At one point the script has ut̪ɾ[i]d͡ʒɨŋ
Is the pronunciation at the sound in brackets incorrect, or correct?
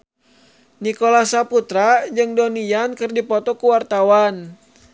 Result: incorrect